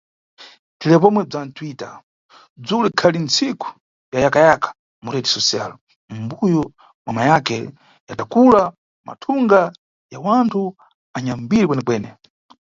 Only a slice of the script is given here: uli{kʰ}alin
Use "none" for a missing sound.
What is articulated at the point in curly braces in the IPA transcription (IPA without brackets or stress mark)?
kʰ